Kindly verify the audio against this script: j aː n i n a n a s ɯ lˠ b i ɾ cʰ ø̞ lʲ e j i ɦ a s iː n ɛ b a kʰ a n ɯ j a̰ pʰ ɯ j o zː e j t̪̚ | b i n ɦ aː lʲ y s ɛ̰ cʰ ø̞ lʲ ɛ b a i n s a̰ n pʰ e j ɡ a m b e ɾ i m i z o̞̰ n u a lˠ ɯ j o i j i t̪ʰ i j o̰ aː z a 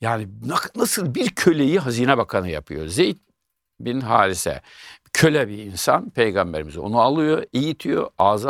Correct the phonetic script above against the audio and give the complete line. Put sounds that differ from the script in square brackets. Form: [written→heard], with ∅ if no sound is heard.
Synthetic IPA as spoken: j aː n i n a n a s ɯ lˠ b i ɾ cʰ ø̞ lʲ e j i ɦ a [s→z] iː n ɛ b a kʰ a n ɯ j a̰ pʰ ɯ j o [zː→z] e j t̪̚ | b i n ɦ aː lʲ [y→i] s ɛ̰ cʰ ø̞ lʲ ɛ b [a→i] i n s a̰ n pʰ e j ɡ a m b e ɾ i m i z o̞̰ n u a lˠ ɯ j o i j i t̪ʰ i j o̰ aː z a